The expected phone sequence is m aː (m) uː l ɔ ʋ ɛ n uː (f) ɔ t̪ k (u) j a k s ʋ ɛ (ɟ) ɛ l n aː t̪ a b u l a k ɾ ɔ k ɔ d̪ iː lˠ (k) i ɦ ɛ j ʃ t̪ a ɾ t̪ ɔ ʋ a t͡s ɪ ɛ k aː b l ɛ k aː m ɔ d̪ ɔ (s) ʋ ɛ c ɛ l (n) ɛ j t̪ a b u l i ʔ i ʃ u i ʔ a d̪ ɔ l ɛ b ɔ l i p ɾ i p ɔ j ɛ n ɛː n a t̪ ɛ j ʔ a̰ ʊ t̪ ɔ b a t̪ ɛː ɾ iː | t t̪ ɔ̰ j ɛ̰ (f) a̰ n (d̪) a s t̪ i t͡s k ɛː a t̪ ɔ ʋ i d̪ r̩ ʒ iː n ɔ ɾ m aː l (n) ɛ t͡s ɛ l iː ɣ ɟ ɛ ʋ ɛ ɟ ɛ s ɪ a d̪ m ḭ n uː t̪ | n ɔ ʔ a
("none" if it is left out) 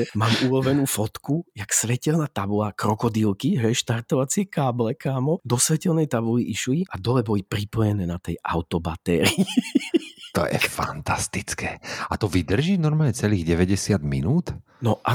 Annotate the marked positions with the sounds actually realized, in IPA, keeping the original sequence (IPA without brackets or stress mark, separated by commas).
m, f, u, c, k, s, n, f, t̪, ɲ